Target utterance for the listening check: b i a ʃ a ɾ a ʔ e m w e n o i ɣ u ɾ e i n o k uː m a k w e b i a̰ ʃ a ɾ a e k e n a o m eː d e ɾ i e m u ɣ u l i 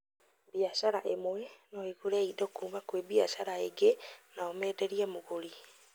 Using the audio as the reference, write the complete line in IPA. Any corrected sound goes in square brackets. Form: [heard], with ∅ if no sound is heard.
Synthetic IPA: b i a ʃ a ɾ a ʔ e m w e n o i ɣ u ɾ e i [d] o k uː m a k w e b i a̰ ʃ a ɾ a e [ɡ] e n a o m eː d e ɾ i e m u ɣ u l i